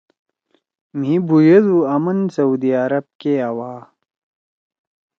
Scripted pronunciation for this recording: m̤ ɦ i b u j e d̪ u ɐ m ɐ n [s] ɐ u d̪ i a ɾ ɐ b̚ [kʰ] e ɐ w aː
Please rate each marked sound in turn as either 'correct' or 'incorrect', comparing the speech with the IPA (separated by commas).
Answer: correct, incorrect